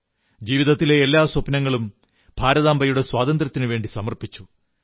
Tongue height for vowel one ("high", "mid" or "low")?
high